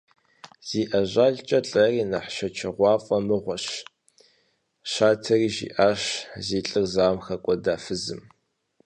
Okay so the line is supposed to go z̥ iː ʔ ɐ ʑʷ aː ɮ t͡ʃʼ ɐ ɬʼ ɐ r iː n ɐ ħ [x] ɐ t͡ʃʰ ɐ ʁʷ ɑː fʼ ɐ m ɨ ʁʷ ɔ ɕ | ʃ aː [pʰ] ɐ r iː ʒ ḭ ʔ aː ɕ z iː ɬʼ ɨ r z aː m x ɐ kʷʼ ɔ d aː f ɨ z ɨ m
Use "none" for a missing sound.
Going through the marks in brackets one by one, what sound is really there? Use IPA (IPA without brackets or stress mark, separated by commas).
ʃ, tʰ